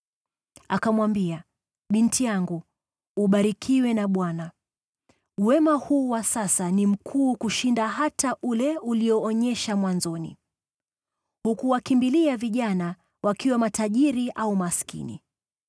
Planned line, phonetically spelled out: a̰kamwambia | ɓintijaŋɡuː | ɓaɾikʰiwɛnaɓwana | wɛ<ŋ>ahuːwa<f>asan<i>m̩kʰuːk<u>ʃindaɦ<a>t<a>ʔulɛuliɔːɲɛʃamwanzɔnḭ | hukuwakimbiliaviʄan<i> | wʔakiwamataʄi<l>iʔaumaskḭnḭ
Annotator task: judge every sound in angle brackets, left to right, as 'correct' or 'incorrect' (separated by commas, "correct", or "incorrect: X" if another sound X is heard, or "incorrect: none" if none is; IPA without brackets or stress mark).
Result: incorrect: m, incorrect: s, correct, correct, correct, correct, incorrect: a, incorrect: ɾ